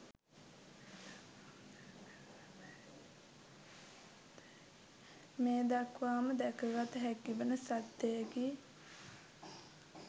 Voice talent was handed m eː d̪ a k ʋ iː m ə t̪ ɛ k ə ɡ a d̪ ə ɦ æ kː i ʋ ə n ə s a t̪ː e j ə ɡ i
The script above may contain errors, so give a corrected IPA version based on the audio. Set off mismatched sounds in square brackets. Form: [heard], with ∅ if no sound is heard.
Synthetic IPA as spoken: m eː d̪ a k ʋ [aː] m ə [d̪] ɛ k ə ɡ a [t̪] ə ɦ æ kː i ʋ ə n ə s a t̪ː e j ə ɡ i